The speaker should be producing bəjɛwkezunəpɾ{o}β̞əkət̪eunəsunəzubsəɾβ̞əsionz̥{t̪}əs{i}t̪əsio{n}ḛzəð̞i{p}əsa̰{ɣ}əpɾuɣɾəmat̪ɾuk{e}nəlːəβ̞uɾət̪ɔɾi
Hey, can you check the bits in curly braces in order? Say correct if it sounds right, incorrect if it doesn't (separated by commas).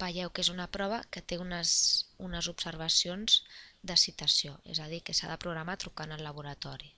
incorrect, incorrect, correct, incorrect, incorrect, incorrect, incorrect